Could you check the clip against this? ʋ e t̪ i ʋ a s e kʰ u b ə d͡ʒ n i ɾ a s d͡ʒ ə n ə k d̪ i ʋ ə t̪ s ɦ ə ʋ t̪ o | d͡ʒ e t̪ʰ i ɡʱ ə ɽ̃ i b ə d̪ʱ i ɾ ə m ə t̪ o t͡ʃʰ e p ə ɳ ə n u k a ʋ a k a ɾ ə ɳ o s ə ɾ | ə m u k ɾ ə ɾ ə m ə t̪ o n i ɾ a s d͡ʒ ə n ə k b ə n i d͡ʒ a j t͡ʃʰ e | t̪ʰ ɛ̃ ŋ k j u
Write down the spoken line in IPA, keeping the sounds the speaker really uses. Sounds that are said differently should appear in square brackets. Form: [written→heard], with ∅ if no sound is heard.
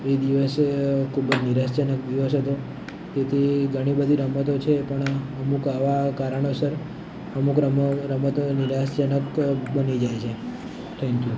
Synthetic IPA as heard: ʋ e [t̪→d̪] i ʋ [a→ə] s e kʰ u b ə d͡ʒ n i ɾ a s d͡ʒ ə n ə k d̪ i ʋ ə [t̪→∅] s ɦ ə [ʋ→∅] t̪ o | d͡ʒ e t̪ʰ i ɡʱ ə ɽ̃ i b ə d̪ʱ i ɾ ə m ə t̪ o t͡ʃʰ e p ə ɳ ə [n→m] u k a ʋ a k a ɾ ə ɳ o s ə ɾ | ə m u k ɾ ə ɾ ə m ə t̪ o n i ɾ a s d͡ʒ ə n ə k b ə n i d͡ʒ a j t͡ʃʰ e | t̪ʰ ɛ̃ ŋ k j u